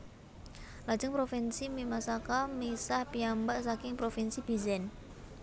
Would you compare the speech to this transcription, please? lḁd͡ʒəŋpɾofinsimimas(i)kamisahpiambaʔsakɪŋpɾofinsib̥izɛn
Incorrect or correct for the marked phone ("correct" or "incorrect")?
incorrect